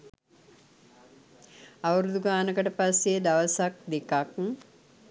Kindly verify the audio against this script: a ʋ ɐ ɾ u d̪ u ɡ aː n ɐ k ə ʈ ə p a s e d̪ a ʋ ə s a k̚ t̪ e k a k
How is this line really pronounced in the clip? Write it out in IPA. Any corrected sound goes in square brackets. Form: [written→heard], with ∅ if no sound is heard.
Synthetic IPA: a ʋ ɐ ɾ u d̪ u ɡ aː n [ɐ→ə] k ə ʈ ə p a s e d̪ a ʋ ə s a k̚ [t̪→d̪] e k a k